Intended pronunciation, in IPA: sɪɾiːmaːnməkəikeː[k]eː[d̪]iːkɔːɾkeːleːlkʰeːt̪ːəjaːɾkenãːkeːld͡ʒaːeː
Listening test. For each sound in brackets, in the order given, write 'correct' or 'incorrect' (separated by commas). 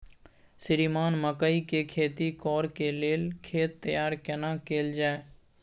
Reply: incorrect, incorrect